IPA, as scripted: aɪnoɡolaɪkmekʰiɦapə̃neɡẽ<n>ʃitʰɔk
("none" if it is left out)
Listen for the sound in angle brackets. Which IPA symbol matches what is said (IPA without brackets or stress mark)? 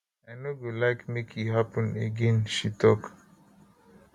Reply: n